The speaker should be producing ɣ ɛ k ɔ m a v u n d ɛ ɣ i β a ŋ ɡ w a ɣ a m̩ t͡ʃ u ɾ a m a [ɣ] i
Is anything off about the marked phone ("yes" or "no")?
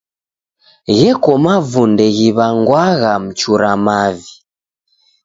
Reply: yes